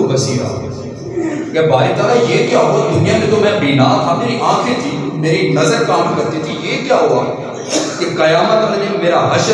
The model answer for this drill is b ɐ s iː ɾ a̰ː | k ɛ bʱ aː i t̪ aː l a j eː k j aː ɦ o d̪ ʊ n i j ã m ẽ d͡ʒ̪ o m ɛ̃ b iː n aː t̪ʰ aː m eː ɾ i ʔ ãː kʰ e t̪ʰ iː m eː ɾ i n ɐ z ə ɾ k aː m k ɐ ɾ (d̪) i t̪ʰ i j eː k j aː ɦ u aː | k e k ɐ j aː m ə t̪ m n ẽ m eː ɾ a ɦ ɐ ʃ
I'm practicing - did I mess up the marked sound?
yes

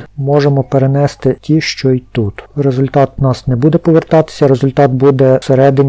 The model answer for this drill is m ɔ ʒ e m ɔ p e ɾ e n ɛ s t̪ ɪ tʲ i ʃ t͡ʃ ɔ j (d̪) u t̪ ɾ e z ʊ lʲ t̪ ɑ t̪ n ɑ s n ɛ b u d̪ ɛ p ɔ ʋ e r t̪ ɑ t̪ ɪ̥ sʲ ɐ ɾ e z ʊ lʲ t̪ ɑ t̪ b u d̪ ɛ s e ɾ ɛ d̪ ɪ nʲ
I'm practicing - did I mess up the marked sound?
yes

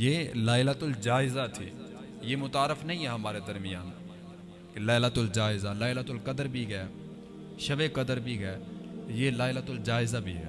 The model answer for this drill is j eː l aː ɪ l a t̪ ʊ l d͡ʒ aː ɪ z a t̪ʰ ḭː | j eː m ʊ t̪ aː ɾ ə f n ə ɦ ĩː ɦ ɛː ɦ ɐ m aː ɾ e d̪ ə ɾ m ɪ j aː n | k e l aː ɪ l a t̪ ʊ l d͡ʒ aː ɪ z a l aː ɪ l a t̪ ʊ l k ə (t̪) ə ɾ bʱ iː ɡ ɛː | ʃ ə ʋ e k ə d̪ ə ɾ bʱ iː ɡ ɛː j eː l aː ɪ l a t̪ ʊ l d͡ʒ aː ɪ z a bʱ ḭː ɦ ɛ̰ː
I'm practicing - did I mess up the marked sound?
yes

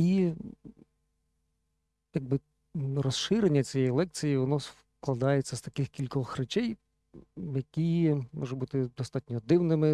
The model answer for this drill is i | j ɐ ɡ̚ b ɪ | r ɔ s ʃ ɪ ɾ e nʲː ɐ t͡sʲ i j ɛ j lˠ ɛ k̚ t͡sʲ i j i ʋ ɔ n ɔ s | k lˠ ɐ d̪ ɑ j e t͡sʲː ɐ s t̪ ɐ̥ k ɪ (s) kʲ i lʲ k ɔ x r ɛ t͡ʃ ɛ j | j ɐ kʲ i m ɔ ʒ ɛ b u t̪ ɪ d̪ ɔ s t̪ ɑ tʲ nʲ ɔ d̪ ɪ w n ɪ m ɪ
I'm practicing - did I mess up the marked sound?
yes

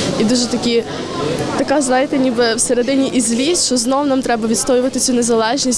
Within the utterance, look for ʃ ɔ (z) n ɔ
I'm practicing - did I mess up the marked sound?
no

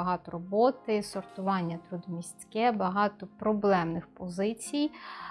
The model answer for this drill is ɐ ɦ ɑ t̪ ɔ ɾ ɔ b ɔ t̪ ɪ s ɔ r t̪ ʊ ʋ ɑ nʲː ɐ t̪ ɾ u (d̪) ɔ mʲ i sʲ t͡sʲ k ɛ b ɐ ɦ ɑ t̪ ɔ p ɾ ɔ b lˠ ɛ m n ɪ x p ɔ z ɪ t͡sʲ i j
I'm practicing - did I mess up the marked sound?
no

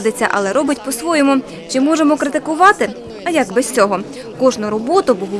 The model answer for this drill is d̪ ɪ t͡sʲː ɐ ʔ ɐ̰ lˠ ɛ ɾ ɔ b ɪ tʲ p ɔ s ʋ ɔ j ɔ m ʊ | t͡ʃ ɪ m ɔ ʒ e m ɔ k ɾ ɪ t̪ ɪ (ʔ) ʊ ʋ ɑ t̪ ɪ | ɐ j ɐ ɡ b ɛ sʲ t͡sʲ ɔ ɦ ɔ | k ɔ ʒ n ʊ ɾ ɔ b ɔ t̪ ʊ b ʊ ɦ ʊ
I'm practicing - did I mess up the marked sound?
yes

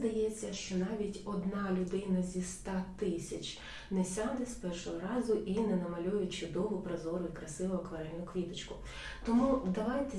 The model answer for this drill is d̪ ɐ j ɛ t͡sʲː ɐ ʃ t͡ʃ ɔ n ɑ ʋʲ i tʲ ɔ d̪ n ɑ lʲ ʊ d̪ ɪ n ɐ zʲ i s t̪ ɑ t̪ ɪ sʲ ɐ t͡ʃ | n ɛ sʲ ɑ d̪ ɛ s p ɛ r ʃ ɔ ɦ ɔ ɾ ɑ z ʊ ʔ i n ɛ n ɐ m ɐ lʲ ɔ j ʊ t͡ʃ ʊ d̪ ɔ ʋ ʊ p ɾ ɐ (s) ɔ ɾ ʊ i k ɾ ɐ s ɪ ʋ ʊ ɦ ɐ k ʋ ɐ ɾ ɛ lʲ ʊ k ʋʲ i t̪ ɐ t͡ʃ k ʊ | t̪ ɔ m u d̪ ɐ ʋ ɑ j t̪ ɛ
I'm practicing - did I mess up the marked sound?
yes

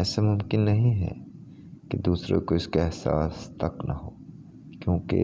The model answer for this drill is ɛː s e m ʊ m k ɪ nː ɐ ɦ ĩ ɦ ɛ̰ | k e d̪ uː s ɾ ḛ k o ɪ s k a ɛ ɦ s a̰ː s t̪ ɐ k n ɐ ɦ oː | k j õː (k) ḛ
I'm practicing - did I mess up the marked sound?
no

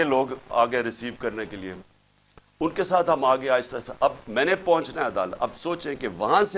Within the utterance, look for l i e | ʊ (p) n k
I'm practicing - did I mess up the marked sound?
yes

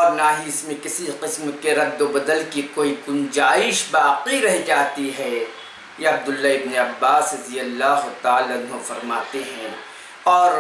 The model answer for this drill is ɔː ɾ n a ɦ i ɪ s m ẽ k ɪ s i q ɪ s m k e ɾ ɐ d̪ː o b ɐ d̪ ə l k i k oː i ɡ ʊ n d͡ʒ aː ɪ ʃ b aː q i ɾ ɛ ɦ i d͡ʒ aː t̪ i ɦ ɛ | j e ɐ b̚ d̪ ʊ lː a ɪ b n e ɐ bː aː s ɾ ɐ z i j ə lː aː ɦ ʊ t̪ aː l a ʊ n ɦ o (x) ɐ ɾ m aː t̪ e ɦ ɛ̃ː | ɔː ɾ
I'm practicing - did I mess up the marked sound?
yes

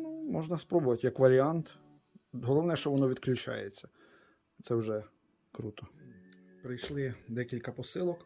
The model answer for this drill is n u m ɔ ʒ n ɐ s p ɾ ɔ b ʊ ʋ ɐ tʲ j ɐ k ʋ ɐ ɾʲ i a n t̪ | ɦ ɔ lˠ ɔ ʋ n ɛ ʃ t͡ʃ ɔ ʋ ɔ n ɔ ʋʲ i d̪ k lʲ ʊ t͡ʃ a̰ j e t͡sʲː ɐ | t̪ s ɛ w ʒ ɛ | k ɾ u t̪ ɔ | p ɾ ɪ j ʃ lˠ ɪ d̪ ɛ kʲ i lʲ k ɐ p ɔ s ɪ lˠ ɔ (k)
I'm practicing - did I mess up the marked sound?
no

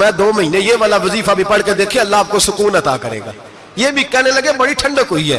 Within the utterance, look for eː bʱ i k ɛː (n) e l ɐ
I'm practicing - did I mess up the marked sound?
no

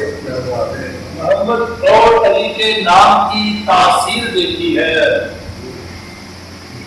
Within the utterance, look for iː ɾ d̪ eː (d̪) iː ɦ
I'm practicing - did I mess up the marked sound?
yes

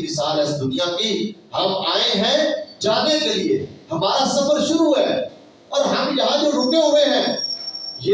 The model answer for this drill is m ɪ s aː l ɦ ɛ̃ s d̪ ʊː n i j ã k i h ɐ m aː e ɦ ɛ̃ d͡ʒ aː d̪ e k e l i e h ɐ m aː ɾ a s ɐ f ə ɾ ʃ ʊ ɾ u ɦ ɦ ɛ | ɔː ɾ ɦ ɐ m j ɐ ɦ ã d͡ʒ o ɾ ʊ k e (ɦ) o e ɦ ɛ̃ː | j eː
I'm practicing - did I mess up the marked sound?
no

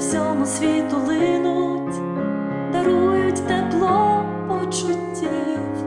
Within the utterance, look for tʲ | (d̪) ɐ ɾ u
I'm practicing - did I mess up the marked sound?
no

